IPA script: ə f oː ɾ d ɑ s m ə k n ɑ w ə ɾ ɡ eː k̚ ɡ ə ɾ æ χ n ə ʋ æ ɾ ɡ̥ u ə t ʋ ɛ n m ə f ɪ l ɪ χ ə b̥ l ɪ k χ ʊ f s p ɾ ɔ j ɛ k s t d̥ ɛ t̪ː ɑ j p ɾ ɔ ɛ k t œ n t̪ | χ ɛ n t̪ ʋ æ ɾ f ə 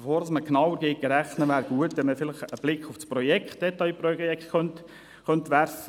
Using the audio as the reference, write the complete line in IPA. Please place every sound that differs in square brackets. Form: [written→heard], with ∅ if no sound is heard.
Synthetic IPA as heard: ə f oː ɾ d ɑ s m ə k n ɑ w ə ɾ ɡ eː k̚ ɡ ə ɾ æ χ n ə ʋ [æ→æː] ɾ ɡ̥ u ə t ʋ ɛ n m ə f ɪ l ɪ χ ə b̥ l ɪ k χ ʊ f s p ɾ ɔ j ɛ k [s→χ] t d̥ ɛ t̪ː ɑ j p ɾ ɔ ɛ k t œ n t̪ | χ [ɛ→œ] n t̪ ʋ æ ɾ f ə

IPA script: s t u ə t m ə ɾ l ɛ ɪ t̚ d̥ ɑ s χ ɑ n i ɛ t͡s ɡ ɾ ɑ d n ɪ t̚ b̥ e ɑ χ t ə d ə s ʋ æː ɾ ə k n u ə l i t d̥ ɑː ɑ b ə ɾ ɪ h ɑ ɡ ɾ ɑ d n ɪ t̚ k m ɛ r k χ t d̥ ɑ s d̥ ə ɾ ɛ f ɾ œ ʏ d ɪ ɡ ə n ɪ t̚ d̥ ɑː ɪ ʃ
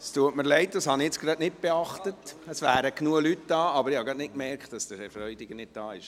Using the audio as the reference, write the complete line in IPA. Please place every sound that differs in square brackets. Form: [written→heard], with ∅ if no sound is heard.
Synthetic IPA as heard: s t u ə t m ə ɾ l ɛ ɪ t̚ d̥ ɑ s [χ→h] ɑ n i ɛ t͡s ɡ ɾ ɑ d n ɪ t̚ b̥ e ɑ χ t ə [d→t] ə s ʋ æː ɾ ə k n u ə l [i→y] t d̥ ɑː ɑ b ə ɾ ɪ h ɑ ɡ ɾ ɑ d n ɪ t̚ k m ɛ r k χ t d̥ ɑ s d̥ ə ɾ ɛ f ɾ œ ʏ d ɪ ɡ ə n ɪ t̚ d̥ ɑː ɪ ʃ

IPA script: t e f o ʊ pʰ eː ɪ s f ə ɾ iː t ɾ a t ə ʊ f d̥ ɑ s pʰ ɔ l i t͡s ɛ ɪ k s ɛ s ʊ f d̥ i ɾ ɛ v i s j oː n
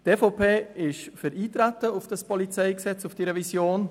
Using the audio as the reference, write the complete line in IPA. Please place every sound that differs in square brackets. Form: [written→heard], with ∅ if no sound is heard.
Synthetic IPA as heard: t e f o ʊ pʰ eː ɪ [s→ʃ] f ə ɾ iː t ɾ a t ə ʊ f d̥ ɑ s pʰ ɔ l i t͡s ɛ ɪ k s ɛ [s→t͡s] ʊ f d̥ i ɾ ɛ v i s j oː n

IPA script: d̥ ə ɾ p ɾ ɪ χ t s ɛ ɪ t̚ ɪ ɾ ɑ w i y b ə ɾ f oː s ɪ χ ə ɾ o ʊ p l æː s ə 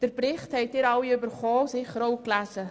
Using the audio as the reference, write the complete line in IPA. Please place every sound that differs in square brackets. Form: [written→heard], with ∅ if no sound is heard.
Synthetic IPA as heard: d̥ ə ɾ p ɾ ɪ χ t [s→h] ɛ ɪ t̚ ɪ ɾ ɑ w i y b ə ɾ [f→χ] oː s ɪ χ ə ɾ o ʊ [p→k] l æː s ə

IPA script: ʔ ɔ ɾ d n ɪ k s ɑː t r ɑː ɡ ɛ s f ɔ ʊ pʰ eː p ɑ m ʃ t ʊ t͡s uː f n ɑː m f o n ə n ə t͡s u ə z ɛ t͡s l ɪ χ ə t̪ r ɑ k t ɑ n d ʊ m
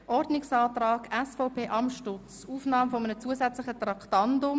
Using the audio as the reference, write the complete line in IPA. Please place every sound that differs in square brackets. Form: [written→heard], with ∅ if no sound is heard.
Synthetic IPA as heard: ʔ ɔ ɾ d n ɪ k s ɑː t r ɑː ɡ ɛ s f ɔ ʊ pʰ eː [p→ʔ] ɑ m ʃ t ʊ t͡s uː f n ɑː m f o [n→m] ə n ə t͡s u ə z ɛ t͡s l ɪ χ ə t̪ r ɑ k t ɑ n d ʊ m

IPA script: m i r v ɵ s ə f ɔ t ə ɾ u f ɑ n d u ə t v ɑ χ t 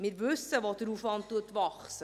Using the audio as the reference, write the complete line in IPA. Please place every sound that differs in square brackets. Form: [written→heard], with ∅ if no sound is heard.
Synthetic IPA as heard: m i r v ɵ s ə [f→v] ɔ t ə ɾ u f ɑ n [d→t] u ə t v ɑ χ [t→s]

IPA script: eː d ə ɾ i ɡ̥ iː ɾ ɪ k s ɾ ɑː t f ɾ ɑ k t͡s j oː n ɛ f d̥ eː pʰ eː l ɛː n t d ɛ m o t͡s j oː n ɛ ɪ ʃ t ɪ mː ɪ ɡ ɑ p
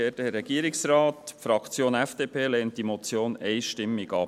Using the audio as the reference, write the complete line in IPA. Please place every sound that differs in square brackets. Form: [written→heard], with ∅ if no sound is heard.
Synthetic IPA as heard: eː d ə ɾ [i→ɛ] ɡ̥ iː ɾ ɪ k s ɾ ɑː t f ɾ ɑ k t͡s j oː n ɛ f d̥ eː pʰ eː l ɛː n t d [ɛ→i] m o t͡s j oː n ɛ ɪ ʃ t ɪ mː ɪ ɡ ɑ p

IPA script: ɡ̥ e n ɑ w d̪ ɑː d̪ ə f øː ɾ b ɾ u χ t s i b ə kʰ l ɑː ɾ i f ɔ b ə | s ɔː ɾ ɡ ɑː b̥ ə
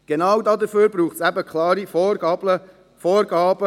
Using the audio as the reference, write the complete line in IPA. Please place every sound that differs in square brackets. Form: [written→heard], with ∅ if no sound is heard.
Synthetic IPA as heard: ɡ̥ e n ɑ w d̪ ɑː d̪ ə f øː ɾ b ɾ [u→uː] χ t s [i→æ] b ə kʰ l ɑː ɾ i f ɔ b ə | [s→f] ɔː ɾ ɡ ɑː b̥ ə

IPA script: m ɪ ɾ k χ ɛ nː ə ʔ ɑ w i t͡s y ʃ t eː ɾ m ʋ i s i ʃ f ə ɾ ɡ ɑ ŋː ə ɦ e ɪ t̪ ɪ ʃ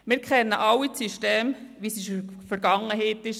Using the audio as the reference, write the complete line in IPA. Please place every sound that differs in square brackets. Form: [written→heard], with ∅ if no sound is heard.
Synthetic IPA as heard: m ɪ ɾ k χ ɛ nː ə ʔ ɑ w i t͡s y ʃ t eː [ɾ→∅] m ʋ i s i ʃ f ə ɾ ɡ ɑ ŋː ə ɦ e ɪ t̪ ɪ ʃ

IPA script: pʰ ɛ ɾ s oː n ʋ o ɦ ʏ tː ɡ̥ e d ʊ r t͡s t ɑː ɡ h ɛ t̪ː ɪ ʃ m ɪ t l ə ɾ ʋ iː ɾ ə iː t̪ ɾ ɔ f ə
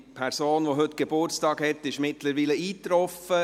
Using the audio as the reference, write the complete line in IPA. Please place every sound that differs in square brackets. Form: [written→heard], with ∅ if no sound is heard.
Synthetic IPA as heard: pʰ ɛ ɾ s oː n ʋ o ɦ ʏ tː ɡ̥ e [d→b] ʊ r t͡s t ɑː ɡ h ɛ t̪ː ɪ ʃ m ɪ t l ə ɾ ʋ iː [ɾ→l] ə iː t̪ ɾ ɔ f ə

